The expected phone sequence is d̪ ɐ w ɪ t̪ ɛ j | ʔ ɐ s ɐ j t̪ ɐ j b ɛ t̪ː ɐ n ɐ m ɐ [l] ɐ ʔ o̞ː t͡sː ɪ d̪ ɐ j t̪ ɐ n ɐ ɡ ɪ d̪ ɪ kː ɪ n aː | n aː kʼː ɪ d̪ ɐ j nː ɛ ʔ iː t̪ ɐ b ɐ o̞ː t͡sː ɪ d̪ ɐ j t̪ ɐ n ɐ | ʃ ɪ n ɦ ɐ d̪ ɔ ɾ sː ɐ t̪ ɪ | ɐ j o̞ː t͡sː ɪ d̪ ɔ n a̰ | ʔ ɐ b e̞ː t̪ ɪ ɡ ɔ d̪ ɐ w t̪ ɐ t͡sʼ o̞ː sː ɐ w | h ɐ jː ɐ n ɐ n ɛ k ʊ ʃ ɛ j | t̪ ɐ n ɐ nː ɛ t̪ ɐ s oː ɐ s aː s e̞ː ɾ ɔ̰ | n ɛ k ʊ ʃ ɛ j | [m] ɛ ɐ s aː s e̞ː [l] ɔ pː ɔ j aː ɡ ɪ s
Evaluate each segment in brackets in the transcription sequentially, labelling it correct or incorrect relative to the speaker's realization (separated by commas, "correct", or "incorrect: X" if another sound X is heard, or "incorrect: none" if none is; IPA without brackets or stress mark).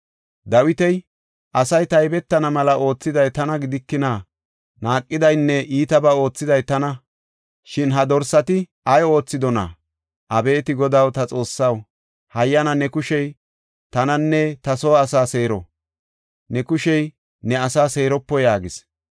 correct, incorrect: n, incorrect: ɾ